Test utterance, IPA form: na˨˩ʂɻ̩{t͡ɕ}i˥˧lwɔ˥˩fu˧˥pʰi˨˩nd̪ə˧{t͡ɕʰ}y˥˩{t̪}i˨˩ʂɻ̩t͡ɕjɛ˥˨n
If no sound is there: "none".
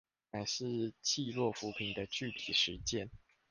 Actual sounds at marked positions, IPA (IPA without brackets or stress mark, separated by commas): t͡ɕʰ, t͡ɕ, t̪ʰ